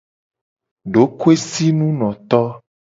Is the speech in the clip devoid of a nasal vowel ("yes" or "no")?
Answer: no